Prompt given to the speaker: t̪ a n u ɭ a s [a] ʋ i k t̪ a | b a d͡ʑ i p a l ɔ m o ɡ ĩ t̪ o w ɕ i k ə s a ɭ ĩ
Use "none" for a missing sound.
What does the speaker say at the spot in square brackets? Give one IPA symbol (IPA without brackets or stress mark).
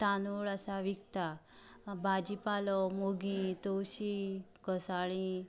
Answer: a